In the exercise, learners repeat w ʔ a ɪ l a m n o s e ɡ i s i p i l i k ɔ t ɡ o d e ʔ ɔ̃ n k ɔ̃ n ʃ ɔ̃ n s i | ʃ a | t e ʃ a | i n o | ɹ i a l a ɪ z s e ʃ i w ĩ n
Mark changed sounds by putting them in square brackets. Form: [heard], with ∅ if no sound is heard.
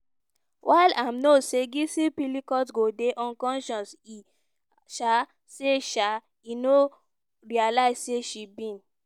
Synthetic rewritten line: w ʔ a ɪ l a m n o s e ɡ i s i p i l i k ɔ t ɡ o d e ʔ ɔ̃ n k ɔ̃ n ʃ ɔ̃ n s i | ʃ a | [s] e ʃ a | i n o | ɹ i a l a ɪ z s e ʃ i [b] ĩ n